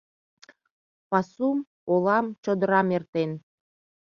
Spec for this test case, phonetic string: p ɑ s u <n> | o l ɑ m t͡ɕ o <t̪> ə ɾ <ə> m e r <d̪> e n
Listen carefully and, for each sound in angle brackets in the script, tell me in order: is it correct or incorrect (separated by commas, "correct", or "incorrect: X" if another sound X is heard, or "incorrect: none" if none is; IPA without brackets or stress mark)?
incorrect: m, incorrect: d̪, incorrect: ɑ, incorrect: t̪